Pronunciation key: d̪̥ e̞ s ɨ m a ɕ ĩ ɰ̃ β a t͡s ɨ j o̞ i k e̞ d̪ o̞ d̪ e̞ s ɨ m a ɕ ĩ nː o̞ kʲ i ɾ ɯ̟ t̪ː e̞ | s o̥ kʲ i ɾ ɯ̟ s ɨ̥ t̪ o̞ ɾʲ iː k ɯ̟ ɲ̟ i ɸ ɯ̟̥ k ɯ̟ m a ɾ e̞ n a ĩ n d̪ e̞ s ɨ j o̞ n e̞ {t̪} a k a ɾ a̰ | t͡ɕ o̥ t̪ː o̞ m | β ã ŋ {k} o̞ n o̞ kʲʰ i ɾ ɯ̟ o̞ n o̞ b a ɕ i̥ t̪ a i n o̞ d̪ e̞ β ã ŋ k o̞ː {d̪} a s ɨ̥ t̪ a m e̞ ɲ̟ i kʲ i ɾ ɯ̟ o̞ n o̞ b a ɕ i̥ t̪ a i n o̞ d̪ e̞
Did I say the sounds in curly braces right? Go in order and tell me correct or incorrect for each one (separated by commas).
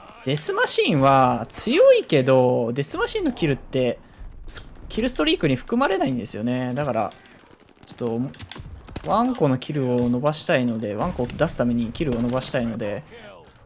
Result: incorrect, correct, correct